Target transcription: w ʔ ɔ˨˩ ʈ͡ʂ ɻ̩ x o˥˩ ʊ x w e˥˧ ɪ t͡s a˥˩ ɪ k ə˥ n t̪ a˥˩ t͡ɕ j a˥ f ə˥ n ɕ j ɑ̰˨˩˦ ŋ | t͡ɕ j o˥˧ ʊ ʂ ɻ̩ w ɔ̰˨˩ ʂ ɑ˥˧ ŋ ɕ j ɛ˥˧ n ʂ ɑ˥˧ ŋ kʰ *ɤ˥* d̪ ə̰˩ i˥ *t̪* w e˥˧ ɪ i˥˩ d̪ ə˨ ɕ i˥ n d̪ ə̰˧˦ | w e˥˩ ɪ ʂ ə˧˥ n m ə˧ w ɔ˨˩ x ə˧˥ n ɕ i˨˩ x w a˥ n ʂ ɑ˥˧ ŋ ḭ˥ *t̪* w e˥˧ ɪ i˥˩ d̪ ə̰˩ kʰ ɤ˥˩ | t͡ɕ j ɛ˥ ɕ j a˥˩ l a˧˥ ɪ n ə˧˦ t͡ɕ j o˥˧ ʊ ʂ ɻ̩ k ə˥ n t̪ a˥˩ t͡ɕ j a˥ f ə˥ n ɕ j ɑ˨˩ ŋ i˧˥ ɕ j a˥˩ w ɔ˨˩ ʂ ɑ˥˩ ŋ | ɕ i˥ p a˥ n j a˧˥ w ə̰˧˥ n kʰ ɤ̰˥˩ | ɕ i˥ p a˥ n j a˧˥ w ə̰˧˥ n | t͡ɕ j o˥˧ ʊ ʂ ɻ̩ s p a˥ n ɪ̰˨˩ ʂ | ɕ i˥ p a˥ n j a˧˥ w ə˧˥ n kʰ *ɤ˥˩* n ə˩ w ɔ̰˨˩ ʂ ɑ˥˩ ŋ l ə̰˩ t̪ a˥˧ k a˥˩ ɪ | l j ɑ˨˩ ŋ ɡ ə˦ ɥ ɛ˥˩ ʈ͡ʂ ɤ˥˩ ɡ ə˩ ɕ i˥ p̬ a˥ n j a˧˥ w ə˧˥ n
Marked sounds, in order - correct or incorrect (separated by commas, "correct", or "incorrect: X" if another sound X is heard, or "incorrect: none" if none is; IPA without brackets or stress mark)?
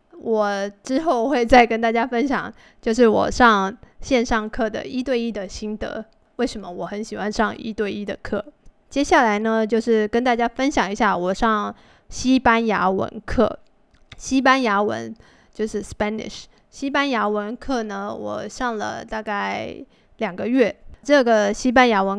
incorrect: ɤ˥˩, correct, correct, correct